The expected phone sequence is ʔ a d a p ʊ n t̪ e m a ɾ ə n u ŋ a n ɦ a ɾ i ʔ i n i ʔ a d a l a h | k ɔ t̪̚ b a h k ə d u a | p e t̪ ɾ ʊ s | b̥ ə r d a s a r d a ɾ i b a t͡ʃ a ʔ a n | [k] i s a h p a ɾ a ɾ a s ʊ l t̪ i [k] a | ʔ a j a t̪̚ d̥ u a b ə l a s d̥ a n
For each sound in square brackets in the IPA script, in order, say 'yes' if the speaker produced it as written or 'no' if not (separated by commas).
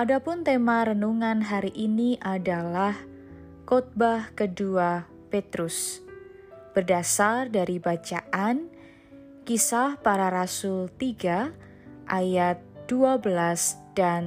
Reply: yes, no